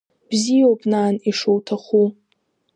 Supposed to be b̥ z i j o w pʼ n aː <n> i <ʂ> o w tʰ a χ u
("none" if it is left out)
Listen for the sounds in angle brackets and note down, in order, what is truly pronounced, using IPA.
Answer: n, ʂ

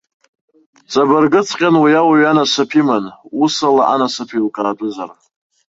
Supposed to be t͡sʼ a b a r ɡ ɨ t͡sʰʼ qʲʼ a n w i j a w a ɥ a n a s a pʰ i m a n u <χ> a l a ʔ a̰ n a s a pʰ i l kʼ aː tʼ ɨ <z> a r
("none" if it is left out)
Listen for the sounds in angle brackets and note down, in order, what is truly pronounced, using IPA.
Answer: s, z

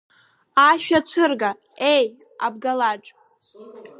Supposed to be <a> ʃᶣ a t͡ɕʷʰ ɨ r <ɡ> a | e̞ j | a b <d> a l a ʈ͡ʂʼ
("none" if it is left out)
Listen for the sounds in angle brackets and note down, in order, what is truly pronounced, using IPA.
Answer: a, ɡ, ɡ

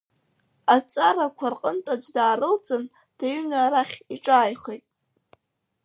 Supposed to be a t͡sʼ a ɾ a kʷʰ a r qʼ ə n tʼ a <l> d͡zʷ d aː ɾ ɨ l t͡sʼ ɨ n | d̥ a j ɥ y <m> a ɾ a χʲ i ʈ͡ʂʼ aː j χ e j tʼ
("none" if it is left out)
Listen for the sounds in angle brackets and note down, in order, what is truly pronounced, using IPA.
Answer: none, n

